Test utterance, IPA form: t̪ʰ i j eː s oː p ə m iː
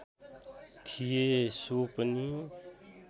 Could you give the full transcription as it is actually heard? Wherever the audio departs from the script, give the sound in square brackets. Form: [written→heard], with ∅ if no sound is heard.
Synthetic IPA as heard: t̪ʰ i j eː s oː p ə [m→n] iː